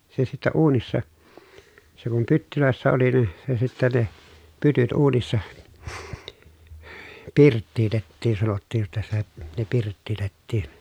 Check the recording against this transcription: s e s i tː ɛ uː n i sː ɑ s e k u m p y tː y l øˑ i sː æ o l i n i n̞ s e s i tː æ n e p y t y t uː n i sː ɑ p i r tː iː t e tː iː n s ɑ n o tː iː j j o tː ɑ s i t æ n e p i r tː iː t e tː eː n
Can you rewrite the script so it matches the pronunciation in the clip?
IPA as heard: s e s i tː ɛ uː n i sː ɑ s e k u m p y tː y l øˑ e sː æ o l i n i n̞ s e s i tː æ n e p y t y t uː n i sː ɑ p i r tː iː t e tː iː n s ɑ n o tː iː j j o tː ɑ s i t æ n e p i r tː iː t e tː iː n